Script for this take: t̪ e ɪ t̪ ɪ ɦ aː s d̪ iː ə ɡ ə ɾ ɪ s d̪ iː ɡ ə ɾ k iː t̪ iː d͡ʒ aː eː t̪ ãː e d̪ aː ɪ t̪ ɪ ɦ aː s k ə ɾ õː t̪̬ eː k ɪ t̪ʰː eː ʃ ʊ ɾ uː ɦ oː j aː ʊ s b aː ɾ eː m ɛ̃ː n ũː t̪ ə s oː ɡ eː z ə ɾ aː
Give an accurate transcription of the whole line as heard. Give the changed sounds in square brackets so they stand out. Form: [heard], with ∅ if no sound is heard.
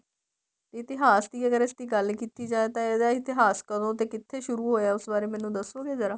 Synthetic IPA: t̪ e ɪ t̪ ɪ ɦ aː s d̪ iː ə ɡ ə ɾ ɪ s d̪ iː ɡ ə [l] k iː t̪ iː d͡ʒ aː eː t̪ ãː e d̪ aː ɪ t̪ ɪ ɦ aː s k ə ɾ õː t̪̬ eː k ɪ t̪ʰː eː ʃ ʊ ɾ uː ɦ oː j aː ʊ s b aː ɾ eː m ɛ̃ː n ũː [d̪] ə s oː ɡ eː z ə ɾ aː